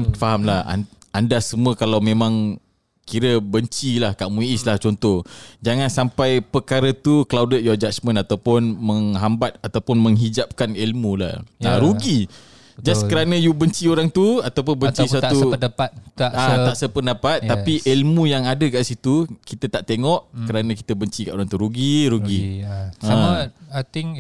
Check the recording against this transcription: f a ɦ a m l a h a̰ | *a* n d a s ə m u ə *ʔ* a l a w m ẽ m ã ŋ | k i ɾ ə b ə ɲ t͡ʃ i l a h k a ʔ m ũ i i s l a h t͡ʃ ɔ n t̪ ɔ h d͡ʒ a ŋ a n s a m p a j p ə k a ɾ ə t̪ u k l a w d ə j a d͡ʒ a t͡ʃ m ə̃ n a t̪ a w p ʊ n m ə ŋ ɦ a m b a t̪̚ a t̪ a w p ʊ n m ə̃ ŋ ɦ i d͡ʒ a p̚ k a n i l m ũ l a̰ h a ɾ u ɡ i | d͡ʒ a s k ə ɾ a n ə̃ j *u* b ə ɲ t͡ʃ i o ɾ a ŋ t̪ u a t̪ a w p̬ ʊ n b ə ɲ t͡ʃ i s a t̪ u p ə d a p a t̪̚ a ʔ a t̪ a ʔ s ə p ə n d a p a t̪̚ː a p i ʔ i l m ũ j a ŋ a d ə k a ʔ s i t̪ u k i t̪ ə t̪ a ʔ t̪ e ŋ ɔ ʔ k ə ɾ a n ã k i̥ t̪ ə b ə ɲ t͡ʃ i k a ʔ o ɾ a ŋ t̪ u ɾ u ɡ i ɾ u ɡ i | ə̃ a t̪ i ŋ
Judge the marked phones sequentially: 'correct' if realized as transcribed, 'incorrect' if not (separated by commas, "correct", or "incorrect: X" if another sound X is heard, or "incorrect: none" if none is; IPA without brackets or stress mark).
correct, incorrect: k, correct